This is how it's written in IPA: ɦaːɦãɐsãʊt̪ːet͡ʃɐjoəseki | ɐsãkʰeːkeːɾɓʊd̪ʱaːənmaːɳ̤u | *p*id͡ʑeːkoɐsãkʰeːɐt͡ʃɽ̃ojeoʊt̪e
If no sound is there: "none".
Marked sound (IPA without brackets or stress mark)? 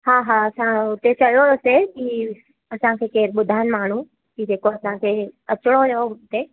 k